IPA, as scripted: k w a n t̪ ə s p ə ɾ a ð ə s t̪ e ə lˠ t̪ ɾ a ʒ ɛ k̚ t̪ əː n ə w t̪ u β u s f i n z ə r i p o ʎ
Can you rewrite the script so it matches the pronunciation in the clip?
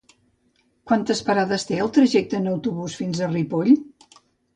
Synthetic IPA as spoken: k w a n t̪ ə s p ə ɾ a ð ə s t̪ e ə lˠ t̪ ɾ ə ʒ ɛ k̚ t̪ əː n ə w t̪ u β u s f i n z ə r i p o ʎ